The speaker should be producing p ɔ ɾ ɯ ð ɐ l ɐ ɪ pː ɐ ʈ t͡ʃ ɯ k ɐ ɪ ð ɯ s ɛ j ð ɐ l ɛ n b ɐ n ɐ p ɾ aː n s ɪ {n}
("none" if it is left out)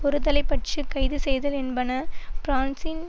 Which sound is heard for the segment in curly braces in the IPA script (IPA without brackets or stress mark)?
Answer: n